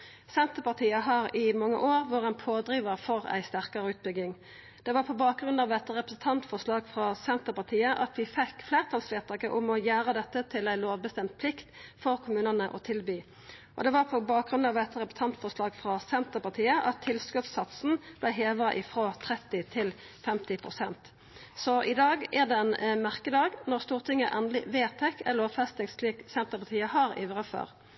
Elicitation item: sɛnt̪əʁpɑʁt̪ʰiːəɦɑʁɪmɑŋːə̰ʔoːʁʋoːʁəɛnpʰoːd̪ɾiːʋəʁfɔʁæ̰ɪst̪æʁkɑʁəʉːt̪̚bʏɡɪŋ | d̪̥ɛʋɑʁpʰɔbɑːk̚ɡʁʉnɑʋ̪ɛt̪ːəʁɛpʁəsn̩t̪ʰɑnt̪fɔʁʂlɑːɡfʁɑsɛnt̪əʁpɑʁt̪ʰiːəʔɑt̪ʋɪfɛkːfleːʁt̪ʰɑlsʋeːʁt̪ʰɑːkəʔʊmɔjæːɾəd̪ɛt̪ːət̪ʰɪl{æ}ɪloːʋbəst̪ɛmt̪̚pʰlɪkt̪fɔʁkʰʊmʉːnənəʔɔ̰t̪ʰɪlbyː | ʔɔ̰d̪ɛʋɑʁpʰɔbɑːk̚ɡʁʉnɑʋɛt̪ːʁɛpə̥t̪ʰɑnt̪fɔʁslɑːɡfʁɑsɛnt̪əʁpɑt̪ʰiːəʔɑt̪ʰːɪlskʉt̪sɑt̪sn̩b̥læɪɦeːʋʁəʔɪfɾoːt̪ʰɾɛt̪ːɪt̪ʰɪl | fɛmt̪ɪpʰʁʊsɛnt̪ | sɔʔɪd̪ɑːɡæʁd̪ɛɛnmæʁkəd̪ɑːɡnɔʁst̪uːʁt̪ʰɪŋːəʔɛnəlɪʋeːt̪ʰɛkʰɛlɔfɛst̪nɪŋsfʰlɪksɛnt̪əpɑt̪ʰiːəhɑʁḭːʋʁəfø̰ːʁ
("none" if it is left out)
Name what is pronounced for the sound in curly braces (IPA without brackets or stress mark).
æ